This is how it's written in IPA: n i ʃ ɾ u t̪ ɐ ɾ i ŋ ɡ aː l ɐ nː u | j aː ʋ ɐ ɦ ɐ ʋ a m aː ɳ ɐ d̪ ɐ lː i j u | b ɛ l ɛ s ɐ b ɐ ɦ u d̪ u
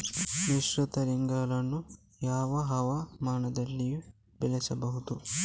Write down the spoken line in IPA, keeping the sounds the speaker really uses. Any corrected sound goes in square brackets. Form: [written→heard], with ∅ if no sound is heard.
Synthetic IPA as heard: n i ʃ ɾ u t̪ ɐ ɾ i ŋ ɡ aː l ɐ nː u | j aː ʋ ɐ ɦ ɐ ʋ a m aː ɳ ɐ d̪ ɐ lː i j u | b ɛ l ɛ s ɐ b ɐ ɦ u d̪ u